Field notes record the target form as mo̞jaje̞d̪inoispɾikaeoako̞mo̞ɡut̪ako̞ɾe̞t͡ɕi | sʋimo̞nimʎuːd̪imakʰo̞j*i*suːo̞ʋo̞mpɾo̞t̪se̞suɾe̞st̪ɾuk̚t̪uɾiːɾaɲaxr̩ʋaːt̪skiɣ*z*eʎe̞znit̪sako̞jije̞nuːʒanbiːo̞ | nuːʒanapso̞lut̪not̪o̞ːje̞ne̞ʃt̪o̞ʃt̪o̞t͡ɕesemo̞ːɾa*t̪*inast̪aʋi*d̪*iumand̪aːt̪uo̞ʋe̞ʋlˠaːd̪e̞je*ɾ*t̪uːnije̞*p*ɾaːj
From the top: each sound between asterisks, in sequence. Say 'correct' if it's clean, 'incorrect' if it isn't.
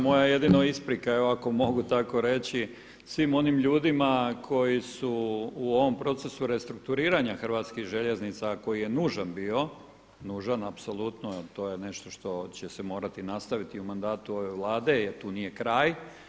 correct, incorrect, correct, incorrect, correct, incorrect

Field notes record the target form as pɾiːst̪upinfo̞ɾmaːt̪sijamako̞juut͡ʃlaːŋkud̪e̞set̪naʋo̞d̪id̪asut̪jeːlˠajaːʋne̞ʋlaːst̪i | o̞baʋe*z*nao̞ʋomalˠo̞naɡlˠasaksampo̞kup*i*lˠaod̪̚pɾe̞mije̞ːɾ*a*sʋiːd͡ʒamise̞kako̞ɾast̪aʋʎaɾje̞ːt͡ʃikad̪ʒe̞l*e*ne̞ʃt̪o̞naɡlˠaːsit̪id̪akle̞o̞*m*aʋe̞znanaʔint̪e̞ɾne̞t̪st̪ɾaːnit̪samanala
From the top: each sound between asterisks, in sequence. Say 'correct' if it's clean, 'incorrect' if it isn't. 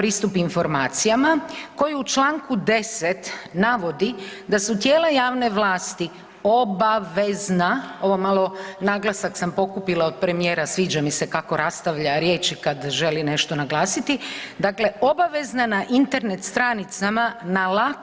correct, correct, correct, incorrect, incorrect

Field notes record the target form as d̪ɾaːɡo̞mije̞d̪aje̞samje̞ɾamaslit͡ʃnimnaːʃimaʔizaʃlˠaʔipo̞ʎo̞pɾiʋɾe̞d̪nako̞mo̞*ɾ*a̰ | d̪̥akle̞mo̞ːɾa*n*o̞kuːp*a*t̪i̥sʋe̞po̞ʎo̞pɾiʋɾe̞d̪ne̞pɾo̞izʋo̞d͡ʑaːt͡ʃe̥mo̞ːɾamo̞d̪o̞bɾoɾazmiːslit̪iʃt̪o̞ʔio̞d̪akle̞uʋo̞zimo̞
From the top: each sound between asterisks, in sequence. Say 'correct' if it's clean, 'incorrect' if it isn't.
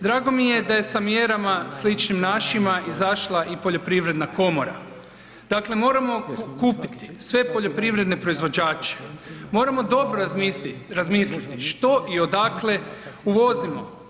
correct, incorrect, incorrect

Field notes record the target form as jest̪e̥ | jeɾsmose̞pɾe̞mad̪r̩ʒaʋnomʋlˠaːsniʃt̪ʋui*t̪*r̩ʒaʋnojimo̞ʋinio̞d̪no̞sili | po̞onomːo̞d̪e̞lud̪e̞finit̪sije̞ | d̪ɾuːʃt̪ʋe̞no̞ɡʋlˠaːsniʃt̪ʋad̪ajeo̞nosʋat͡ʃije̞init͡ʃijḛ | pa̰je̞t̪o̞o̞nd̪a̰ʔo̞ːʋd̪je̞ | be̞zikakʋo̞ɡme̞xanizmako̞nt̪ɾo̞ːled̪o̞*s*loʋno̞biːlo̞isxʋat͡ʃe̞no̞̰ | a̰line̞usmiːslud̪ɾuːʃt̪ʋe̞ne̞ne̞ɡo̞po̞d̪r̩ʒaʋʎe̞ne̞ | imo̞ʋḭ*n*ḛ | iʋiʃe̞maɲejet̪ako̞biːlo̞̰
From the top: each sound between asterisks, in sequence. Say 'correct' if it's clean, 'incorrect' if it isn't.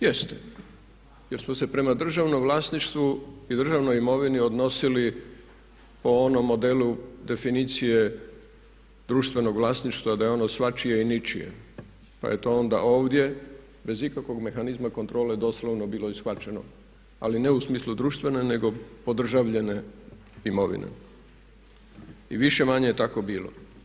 incorrect, correct, correct

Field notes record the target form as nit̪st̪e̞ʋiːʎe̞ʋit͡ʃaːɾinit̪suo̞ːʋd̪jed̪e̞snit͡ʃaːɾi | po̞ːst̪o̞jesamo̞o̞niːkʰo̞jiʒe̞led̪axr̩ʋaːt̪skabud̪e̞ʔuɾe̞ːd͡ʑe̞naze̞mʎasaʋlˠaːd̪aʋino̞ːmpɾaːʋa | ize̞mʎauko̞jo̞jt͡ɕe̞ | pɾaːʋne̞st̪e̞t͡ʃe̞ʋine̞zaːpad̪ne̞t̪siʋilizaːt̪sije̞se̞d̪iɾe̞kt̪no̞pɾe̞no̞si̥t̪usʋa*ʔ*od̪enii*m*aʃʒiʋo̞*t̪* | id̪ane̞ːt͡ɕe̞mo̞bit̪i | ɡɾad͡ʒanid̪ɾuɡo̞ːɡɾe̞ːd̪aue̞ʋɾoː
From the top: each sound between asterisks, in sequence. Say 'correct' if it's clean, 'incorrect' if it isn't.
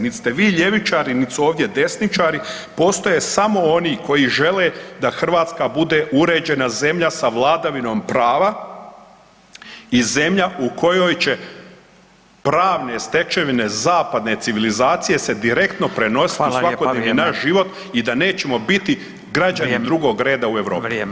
incorrect, incorrect, correct

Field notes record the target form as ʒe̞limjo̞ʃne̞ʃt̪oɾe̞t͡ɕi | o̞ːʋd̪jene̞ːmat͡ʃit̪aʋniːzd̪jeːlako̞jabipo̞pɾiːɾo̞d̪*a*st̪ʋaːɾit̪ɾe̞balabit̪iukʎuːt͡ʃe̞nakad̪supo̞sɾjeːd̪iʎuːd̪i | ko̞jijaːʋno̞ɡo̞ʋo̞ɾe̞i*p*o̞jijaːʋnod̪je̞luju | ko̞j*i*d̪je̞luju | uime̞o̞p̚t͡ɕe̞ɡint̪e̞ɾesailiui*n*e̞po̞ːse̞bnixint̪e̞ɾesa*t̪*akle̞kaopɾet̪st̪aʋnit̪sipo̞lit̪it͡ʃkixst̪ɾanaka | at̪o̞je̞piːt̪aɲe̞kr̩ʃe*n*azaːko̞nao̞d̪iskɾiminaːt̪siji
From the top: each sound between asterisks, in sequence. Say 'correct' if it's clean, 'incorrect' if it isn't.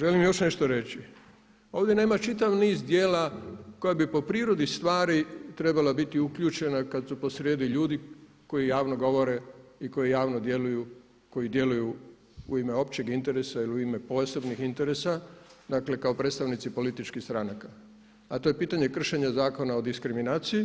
incorrect, incorrect, correct, incorrect, incorrect, incorrect

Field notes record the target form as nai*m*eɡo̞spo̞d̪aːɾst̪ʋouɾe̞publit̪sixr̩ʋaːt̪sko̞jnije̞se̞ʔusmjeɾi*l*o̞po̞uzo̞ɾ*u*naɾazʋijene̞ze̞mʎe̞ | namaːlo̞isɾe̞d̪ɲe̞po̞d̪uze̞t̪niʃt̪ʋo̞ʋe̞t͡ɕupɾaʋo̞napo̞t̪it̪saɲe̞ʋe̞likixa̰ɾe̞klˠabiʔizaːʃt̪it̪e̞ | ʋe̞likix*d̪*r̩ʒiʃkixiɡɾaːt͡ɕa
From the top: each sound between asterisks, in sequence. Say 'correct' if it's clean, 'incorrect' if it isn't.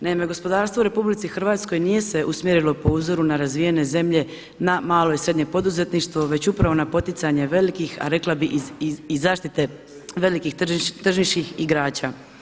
correct, correct, correct, incorrect

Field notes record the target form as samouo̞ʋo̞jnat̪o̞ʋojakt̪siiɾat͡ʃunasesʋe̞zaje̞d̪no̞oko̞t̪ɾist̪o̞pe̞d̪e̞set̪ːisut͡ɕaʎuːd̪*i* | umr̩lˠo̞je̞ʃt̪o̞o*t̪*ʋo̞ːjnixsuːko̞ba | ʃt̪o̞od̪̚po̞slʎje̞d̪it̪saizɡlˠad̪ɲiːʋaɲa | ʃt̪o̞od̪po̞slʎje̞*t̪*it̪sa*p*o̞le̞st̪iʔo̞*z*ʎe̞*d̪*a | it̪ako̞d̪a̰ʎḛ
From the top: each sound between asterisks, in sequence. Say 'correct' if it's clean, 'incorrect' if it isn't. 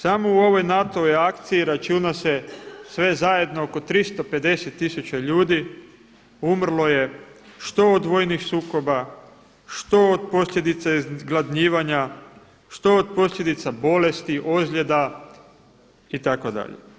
correct, incorrect, incorrect, incorrect, correct, correct

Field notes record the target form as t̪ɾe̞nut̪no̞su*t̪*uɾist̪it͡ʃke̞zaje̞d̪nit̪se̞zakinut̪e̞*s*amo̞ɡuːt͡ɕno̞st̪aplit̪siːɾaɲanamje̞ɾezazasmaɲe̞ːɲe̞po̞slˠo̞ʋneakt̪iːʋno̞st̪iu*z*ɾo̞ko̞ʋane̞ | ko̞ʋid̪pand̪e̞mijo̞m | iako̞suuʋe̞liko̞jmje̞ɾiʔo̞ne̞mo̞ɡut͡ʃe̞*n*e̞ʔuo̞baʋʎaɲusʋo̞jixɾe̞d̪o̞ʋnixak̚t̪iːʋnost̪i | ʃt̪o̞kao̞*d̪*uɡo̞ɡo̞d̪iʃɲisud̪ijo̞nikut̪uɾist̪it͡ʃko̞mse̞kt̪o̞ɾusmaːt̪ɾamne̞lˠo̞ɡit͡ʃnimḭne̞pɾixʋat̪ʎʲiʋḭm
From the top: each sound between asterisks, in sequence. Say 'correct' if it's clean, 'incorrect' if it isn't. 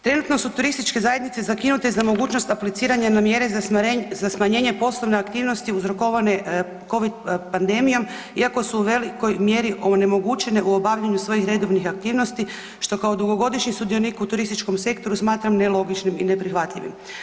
correct, incorrect, correct, correct, correct

